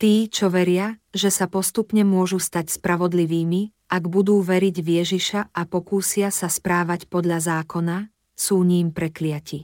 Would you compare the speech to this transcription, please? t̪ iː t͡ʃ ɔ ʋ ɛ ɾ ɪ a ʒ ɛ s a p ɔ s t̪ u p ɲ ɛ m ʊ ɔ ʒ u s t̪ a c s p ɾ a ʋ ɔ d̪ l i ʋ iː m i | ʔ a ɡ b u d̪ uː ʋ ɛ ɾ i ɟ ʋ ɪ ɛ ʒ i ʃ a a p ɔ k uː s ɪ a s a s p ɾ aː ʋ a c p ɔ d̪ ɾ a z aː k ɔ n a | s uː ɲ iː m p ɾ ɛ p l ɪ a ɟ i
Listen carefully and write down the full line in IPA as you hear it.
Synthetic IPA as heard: t̪ iː t͡ʃ ɔ ʋ ɛ ɾ ɪ a ʒ ɛ s a p ɔ s t̪ u p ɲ ɛ m ʊ ɔ ʒ u s t̪ a c s p ɾ a ʋ ɔ d̪ l i ʋ iː m i | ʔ a ɡ b u d̪ uː ʋ ɛ ɾ i ɟ ʋ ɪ ɛ ʒ i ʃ a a p ɔ k uː s ɪ a s a s p ɾ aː ʋ a c p ɔ d̪ ʎ a z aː k ɔ n a | s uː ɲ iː m p ɾ ɛ k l ɪ a c i